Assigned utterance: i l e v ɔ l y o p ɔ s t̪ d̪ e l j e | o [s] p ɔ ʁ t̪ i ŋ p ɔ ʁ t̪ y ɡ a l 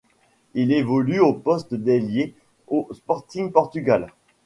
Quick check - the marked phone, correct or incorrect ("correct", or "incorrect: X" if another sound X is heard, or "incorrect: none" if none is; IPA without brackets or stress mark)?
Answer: correct